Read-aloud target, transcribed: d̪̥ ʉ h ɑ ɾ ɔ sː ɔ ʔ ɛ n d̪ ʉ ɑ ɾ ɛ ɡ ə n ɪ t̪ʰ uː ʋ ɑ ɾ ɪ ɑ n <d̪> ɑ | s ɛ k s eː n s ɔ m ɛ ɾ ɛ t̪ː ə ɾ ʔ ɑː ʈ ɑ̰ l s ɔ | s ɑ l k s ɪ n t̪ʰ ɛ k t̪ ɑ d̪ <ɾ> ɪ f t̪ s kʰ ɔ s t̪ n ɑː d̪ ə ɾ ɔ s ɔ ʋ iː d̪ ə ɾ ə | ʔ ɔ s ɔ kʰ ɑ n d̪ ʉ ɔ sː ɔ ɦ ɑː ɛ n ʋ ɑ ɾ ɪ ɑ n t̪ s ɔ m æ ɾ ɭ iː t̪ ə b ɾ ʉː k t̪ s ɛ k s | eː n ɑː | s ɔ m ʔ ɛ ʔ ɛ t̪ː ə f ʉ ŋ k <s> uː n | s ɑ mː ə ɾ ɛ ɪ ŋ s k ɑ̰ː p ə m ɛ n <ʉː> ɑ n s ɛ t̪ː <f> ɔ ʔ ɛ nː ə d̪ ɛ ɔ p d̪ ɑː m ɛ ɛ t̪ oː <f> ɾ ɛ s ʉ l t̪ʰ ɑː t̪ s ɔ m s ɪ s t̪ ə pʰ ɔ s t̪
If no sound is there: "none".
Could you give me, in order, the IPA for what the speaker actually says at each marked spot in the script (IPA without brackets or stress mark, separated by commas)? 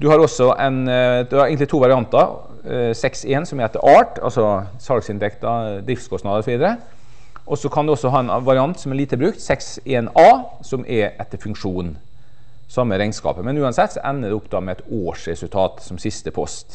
t̪, ɾ, ʂ, ʉː, s, ʂ